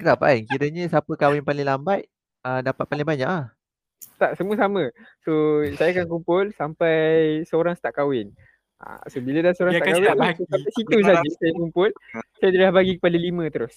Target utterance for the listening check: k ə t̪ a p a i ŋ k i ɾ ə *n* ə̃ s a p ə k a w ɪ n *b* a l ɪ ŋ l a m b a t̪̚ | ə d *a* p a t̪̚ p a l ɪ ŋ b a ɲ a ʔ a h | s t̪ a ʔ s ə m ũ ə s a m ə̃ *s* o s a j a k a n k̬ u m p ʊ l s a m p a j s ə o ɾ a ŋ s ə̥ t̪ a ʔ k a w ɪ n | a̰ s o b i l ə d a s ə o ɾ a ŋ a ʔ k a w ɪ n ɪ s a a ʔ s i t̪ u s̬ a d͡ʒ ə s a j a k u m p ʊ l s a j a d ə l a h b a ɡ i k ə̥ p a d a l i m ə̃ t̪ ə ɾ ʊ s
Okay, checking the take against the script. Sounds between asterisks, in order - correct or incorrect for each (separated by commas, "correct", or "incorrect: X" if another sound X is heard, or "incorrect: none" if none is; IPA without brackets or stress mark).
incorrect: ɲ, incorrect: p, correct, correct